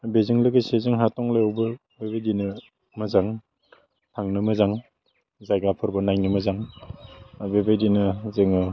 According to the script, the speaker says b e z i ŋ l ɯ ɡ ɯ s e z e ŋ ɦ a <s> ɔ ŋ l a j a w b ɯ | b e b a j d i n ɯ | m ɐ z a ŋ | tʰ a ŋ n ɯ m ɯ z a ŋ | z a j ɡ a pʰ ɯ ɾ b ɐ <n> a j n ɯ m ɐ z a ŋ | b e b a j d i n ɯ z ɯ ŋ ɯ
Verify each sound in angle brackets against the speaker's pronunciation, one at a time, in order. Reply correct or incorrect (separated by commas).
incorrect, correct